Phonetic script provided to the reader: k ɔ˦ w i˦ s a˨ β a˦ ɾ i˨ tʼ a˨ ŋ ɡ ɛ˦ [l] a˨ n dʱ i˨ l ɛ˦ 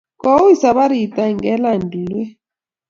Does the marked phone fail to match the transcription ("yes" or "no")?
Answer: no